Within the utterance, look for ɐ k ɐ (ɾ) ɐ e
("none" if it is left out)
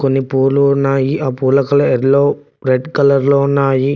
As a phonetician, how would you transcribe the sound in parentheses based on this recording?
l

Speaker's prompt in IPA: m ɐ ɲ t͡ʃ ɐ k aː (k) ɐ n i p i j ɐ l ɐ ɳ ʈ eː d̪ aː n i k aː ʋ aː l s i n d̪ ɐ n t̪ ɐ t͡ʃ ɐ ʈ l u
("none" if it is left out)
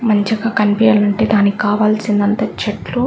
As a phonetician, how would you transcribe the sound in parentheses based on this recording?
k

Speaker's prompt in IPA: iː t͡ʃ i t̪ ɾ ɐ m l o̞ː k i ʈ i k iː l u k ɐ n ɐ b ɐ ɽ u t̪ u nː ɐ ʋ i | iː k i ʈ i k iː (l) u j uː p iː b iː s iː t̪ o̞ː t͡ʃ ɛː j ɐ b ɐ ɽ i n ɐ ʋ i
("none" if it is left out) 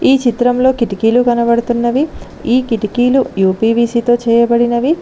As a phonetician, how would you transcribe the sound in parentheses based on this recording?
l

